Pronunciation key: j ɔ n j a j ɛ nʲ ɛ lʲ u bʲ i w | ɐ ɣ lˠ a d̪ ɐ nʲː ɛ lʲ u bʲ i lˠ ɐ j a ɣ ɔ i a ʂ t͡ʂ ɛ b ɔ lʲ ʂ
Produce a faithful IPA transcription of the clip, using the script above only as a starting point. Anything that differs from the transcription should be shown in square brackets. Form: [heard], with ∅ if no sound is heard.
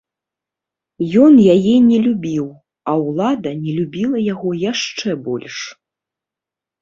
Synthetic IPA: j ɔ n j a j ɛ nʲ ɛ lʲ u bʲ i w | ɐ [w] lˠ a d̪ ɐ [nʲ] ɛ lʲ u bʲ i lˠ ɐ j a ɣ ɔ [j] a ʂ t͡ʂ ɛ b ɔ lʲ ʂ